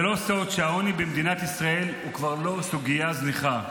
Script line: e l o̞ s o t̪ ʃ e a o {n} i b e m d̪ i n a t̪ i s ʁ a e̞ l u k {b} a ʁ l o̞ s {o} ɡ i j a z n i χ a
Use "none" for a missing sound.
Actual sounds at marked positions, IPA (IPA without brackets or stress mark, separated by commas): n, v, u